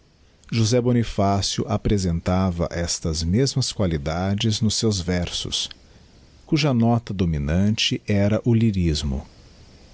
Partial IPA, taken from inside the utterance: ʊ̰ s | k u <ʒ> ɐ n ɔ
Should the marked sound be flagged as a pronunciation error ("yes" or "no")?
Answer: no